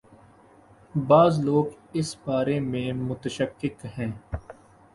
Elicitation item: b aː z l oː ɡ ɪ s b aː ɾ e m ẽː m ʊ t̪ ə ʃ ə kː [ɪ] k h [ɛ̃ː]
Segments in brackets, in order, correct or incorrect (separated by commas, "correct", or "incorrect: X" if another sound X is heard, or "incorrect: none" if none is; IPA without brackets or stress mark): correct, correct